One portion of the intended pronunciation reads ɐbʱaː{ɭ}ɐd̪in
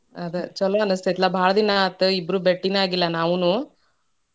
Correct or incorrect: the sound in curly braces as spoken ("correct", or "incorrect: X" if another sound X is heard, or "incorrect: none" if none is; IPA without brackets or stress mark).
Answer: correct